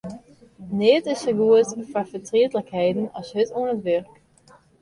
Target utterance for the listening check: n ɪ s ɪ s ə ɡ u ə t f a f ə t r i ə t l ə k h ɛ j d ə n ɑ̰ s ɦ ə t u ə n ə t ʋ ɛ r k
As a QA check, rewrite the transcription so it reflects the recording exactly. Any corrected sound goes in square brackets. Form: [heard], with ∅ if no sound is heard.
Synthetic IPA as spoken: n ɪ [t] ɪ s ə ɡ u ə t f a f ə t r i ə t l ə k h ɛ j d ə n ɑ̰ s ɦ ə t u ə n ə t ʋ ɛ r k